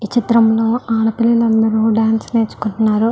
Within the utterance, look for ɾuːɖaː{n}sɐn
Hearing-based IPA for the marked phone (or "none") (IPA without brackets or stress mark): n